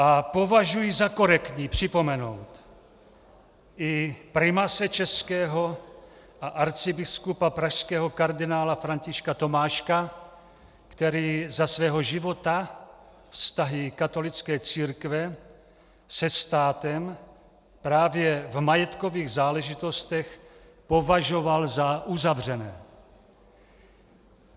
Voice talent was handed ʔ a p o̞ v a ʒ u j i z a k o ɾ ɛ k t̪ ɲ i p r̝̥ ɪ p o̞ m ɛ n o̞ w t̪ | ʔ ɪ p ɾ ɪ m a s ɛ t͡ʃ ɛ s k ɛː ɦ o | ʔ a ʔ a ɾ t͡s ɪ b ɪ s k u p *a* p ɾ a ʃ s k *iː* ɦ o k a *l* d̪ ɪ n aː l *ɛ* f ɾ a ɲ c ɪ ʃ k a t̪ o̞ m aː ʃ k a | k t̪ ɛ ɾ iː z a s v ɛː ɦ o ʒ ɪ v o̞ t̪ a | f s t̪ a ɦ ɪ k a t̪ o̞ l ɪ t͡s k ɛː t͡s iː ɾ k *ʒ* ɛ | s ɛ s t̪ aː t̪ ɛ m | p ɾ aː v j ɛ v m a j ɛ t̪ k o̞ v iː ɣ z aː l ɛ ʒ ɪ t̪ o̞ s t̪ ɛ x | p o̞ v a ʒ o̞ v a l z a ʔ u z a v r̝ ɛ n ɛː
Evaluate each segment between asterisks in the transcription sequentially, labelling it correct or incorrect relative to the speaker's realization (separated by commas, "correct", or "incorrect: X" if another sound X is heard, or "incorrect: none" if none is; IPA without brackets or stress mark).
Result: correct, incorrect: ɛː, incorrect: ɾ, incorrect: a, incorrect: v